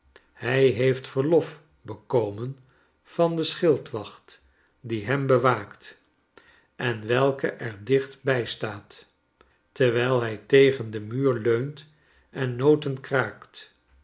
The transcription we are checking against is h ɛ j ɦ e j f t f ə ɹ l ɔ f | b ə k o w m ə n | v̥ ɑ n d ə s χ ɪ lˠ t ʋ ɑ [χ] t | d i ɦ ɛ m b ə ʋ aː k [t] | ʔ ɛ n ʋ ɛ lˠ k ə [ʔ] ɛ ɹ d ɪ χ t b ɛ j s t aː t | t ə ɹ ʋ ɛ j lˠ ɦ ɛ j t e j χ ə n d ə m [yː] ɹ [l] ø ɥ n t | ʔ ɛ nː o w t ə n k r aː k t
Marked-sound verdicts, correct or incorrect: correct, correct, correct, correct, correct

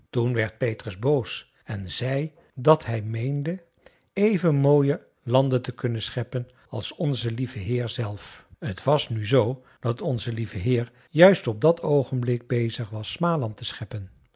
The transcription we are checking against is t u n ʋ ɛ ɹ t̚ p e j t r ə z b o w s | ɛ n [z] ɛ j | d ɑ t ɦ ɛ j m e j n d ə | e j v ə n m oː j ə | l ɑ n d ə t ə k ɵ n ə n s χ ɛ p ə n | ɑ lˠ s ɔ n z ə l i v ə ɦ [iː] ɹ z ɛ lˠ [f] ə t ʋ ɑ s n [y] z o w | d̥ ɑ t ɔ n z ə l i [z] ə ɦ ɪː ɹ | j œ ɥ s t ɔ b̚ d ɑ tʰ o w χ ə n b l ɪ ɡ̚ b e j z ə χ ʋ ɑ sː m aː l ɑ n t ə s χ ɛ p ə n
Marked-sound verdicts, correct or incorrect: correct, incorrect: ɪː, correct, correct, incorrect: v

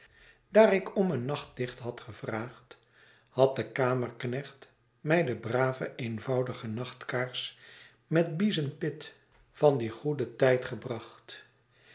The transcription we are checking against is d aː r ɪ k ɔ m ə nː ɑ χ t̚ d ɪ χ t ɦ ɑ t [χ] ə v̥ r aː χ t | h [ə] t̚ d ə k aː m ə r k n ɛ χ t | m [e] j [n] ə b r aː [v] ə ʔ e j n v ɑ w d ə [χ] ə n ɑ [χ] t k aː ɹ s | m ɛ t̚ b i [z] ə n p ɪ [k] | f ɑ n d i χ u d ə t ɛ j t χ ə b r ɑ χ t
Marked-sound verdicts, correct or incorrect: correct, incorrect: ɑ, incorrect: ɛ, incorrect: d, correct, correct, correct, correct, incorrect: t

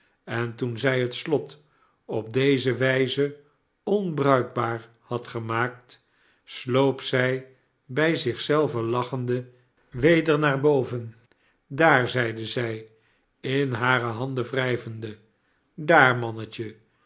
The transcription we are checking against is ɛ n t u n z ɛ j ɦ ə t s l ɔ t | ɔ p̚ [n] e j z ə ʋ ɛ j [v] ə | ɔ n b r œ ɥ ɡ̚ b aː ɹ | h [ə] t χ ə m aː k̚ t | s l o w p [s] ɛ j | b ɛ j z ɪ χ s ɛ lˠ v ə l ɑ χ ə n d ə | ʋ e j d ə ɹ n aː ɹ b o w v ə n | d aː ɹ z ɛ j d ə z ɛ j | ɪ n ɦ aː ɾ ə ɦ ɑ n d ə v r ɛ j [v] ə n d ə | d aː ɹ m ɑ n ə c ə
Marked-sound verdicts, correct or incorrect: incorrect: d, incorrect: z, incorrect: ɑ, correct, correct

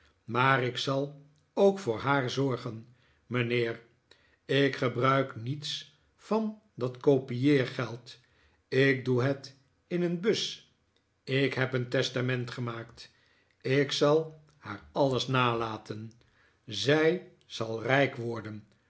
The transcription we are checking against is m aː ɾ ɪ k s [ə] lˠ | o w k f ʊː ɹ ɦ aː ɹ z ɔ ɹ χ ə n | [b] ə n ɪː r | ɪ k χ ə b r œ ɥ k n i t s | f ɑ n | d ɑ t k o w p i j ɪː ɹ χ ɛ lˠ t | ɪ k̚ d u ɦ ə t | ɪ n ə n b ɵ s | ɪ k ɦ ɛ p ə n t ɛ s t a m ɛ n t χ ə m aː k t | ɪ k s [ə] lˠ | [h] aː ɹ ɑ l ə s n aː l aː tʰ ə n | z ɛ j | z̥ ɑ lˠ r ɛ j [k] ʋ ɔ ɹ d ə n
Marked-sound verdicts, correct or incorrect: incorrect: ɑ, incorrect: m, incorrect: ɑ, correct, correct

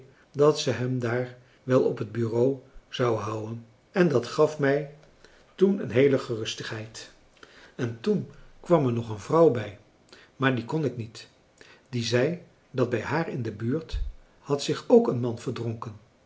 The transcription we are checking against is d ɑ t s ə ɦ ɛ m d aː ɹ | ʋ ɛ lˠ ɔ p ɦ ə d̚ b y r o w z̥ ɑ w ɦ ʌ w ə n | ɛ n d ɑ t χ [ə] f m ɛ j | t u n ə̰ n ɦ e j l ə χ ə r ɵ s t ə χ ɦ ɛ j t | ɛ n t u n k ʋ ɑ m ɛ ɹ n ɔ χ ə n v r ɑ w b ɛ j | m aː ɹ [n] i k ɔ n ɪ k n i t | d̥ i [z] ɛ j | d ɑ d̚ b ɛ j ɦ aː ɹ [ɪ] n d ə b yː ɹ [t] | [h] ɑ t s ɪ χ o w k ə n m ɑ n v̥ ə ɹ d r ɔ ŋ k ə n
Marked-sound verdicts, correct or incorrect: incorrect: ɑ, incorrect: d, correct, correct, correct, correct

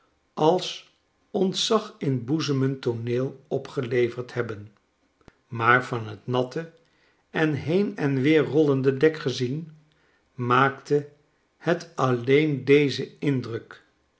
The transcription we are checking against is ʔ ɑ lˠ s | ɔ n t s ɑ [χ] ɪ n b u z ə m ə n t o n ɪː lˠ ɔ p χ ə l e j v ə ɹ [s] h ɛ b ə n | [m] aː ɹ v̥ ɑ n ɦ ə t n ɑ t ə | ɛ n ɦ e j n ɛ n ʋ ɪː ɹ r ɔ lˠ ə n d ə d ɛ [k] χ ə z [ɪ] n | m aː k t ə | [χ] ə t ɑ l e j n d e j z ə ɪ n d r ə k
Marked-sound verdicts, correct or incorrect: correct, incorrect: t, correct, correct, incorrect: i, incorrect: h

